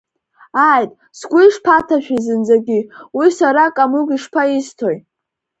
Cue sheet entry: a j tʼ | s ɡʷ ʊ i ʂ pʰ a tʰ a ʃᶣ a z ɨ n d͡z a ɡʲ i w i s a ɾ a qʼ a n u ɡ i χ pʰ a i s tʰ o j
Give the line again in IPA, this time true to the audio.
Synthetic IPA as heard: a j tʼ | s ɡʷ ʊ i ʂ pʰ a tʰ a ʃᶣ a z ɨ n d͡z a ɡʲ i w i s a ɾ a kʼ a m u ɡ i ʂ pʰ a i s tʰ o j